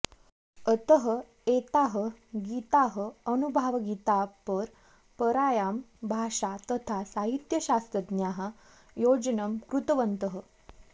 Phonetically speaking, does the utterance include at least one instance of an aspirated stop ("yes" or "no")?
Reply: yes